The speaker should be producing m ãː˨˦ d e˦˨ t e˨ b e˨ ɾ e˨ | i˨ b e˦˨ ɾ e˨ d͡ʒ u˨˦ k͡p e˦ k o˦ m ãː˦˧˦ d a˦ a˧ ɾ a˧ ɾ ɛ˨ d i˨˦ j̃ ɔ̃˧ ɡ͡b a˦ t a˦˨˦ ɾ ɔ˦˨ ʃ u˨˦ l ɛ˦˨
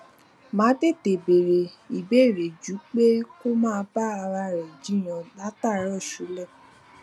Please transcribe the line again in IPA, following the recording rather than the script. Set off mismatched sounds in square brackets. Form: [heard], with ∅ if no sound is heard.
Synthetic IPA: m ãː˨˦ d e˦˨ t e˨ b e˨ ɾ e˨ | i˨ b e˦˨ ɾ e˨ d͡ʒ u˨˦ k͡p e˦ k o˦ m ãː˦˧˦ [b] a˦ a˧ ɾ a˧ ɾ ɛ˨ [d͡ʒ] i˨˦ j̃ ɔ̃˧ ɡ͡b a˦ t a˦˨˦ ɾ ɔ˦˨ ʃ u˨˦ l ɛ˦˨